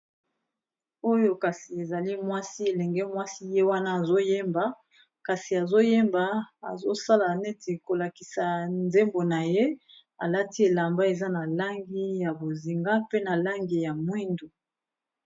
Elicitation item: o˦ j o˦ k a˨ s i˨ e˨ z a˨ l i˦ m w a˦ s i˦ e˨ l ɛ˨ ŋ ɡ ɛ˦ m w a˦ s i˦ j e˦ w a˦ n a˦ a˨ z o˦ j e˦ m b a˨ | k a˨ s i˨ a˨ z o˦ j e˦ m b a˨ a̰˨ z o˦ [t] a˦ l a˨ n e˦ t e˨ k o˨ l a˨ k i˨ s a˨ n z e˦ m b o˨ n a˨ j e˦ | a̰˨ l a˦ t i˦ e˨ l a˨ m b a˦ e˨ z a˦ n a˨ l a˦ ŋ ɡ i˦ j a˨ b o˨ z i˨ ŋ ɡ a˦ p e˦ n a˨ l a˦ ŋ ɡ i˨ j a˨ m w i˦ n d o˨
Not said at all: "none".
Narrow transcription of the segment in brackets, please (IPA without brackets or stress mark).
s